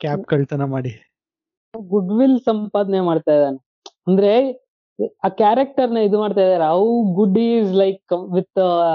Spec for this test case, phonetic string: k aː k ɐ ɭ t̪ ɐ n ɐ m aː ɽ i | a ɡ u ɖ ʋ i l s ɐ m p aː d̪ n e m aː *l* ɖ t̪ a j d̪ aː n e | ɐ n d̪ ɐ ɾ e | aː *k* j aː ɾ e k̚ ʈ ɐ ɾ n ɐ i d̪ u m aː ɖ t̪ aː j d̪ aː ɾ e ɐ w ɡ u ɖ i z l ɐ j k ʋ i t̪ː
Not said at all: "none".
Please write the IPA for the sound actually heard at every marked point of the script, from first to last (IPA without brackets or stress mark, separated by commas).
none, k